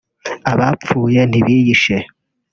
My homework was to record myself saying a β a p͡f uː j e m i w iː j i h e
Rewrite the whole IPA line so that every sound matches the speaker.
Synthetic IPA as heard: a β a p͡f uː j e n i β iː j i ʃ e